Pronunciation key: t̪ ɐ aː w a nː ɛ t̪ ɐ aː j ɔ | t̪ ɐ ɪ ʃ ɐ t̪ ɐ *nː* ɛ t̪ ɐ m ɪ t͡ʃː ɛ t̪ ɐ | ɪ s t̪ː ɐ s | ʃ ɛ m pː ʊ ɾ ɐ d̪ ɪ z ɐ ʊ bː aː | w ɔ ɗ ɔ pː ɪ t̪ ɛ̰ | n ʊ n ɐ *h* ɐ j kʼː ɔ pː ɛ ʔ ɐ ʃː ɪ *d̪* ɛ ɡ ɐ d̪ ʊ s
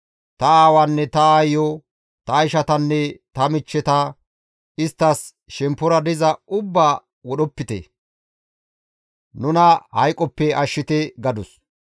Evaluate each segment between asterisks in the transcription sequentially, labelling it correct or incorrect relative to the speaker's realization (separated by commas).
correct, correct, incorrect